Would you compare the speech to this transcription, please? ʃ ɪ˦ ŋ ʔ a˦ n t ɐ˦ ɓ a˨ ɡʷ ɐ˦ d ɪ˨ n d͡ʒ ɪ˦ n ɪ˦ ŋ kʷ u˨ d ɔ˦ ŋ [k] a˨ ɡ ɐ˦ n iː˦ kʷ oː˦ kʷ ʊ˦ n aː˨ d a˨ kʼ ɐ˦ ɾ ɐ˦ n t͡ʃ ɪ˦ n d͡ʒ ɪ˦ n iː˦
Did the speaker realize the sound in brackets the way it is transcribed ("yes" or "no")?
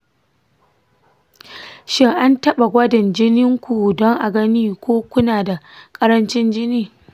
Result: no